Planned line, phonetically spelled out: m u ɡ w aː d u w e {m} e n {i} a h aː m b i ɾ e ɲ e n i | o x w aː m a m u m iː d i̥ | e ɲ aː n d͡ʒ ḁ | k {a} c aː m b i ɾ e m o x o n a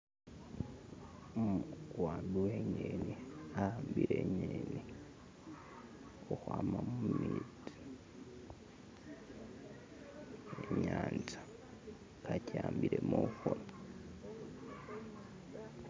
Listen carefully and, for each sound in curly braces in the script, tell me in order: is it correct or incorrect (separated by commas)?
incorrect, correct, correct